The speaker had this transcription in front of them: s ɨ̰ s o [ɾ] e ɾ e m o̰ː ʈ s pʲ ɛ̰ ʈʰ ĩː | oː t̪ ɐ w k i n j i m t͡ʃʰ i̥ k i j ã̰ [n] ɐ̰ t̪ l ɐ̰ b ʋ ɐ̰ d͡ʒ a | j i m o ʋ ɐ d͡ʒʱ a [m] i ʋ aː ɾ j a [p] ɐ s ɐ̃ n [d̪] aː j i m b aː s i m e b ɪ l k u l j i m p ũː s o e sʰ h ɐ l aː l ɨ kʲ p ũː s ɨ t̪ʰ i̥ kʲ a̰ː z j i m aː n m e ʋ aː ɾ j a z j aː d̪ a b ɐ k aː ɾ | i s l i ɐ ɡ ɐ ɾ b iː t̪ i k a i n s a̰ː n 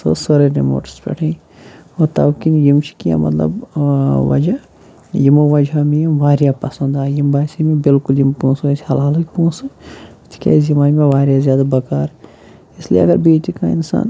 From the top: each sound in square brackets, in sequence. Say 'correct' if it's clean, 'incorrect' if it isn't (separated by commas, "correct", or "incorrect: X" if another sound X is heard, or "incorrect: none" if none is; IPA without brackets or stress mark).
correct, incorrect: m, correct, correct, correct